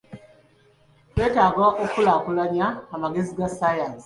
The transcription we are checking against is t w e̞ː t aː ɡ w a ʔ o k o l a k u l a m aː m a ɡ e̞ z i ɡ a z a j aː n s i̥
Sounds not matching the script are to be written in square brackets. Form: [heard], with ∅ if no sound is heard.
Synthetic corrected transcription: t w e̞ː t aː ɡ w a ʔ o k [u] l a k u l a [ɲ] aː m a ɡ e̞ z i ɡ a [s] a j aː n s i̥